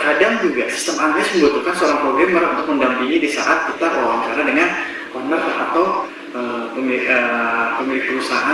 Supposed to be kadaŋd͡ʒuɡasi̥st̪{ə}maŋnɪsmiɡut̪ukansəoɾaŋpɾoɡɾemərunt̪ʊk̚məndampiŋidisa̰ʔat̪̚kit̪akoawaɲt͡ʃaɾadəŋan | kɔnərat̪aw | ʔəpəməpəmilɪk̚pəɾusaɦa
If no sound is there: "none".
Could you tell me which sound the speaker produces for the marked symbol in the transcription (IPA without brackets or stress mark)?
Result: ə